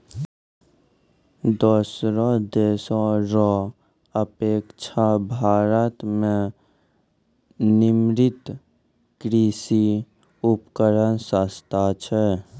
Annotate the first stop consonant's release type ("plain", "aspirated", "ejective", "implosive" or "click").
plain